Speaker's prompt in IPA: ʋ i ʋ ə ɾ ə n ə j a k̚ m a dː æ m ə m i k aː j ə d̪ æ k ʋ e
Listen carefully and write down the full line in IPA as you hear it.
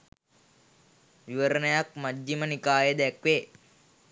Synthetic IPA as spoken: ʋ i ʋ ə ɾ ə n ə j a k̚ m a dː i m ə n i k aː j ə d̪ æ k ʋ e